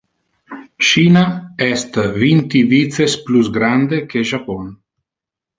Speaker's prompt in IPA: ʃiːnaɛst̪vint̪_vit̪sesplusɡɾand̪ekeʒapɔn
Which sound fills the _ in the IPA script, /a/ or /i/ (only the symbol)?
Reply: i